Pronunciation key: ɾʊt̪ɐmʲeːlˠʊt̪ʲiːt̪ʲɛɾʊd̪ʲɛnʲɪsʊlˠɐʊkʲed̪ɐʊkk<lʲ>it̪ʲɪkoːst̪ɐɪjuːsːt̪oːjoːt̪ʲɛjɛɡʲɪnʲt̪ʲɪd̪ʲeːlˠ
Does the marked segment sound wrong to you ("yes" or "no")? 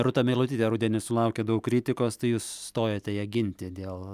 yes